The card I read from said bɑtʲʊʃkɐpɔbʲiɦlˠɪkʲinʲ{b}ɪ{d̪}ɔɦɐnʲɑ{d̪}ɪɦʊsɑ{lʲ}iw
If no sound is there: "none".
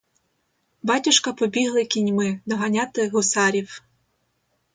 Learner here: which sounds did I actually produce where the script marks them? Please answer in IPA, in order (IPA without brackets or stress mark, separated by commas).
m, d̪, t̪, ɾʲ